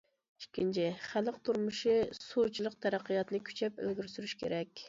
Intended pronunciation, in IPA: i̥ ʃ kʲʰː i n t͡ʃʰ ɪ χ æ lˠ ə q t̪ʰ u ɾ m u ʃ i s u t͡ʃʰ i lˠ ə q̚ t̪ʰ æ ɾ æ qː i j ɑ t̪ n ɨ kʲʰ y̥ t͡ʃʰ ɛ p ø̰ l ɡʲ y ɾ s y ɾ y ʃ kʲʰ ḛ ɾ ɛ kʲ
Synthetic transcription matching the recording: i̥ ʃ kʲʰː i n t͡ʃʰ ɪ χ æ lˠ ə q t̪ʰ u ɾ m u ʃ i s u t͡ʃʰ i lˠ ə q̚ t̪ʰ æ ɾ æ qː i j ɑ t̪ n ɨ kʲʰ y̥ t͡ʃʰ ɛ p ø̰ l ɡʲ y ɾ s y ɾ y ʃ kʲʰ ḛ ɾ ɛ kʲ